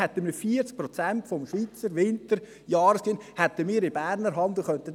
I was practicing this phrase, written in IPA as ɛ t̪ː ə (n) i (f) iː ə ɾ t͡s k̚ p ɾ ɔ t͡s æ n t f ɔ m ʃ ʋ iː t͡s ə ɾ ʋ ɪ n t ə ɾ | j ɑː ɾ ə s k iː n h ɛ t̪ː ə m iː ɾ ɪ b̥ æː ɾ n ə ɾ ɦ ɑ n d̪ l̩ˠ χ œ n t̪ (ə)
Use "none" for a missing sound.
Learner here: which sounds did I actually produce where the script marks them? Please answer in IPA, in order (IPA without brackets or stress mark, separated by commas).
m, f, ə